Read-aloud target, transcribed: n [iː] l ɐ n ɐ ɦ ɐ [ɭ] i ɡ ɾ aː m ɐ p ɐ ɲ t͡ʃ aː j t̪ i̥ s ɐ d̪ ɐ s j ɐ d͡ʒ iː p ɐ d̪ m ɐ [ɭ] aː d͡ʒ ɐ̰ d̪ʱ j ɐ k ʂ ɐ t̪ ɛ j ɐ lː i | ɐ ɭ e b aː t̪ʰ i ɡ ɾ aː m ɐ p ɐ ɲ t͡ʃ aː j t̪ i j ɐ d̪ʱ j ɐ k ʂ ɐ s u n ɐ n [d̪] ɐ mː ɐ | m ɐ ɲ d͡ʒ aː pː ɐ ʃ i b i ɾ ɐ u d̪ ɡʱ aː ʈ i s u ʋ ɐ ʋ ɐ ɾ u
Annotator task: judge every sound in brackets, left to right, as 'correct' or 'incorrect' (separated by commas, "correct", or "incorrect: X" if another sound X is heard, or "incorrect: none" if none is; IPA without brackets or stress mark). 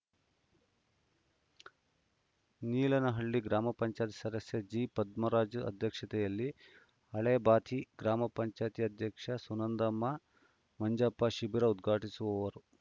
correct, incorrect: ɭː, incorrect: ɾ, correct